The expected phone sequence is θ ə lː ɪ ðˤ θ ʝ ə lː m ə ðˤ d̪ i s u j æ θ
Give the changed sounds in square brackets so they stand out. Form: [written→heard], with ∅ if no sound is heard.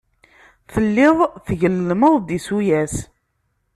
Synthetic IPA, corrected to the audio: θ ə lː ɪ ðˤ θ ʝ ə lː m ə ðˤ d̪ i s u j æ [θ→s]